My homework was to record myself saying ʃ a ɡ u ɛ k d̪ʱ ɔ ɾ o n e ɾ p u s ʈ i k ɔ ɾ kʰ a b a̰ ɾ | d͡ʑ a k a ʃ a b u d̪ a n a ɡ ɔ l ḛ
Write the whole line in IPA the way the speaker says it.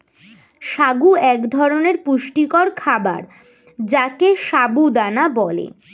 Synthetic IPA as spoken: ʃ a ɡ u ɛ k d̪ʱ ɔ ɾ o n e ɾ p u ʃ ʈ i k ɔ ɾ kʰ a b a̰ ɾ | d͡ʑ a k e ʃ a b u d̪ a n a b ɔ l ḛ